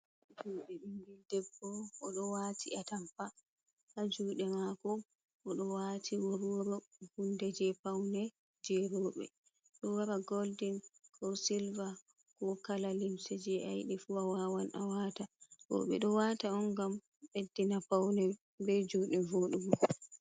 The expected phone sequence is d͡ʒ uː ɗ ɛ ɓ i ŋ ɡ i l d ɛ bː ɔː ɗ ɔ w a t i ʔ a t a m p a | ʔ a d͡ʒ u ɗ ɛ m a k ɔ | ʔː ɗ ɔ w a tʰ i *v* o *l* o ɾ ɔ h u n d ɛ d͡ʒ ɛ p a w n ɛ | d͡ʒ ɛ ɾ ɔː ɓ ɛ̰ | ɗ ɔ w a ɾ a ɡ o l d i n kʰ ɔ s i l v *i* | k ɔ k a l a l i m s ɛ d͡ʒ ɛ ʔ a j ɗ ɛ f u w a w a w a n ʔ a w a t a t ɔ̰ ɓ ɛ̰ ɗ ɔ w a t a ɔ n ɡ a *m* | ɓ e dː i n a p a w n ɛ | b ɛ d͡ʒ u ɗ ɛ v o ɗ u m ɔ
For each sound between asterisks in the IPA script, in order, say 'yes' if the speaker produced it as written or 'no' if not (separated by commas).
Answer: no, no, no, yes